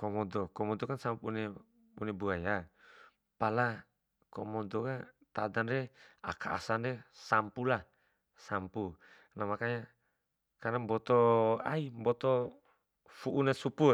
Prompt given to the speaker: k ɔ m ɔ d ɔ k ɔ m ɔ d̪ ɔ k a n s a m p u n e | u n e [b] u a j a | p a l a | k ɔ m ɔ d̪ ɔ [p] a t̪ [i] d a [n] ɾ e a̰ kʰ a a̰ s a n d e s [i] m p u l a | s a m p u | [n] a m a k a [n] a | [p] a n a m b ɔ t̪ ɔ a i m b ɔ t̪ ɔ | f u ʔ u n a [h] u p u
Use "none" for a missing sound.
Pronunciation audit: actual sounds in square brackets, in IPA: b, k, a, n, a, n, ɲ, k, s

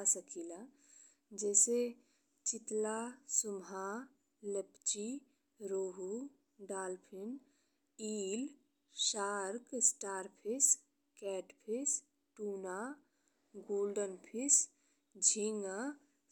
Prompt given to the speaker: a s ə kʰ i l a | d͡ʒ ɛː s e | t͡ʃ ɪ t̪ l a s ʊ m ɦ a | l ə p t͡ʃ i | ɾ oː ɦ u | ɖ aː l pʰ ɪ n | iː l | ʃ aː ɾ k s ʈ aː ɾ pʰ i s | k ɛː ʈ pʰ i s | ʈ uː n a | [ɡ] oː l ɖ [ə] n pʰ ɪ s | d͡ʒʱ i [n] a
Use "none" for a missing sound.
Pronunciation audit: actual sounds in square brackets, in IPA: ɡ, ə, ŋ

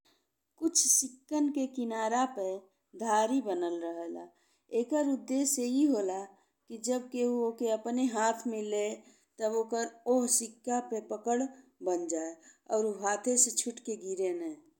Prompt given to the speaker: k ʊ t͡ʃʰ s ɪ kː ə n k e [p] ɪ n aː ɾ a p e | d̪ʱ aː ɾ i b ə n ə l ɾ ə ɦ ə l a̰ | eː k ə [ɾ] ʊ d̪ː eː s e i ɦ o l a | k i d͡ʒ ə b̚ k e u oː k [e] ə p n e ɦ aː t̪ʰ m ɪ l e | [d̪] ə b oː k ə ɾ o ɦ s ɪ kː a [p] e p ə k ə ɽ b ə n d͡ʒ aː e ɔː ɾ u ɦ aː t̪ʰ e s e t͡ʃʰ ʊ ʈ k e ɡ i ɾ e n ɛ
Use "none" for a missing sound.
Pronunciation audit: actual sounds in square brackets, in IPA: k, ɾ, e, t̪, p

